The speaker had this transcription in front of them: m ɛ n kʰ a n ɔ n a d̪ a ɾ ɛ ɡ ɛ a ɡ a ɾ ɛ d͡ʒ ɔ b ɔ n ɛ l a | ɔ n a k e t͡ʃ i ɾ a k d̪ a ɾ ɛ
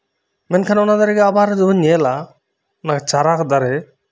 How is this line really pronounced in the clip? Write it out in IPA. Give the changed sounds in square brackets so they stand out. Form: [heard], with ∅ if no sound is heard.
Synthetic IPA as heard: m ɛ n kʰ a n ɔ n a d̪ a ɾ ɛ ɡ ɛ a [b] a ɾ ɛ d͡ʒ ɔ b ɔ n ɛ l a | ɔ n a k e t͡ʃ [a] ɾ a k d̪ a ɾ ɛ